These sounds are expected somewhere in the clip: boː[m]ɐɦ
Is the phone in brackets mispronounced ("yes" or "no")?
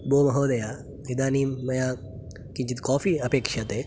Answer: no